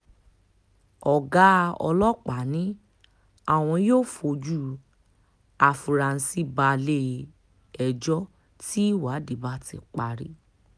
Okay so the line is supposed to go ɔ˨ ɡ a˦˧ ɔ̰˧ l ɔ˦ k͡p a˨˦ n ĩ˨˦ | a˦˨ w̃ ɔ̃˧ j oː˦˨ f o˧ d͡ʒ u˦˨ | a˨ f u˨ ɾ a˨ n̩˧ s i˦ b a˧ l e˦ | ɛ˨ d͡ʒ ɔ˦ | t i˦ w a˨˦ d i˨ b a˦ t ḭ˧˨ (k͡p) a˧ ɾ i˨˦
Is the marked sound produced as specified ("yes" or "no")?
yes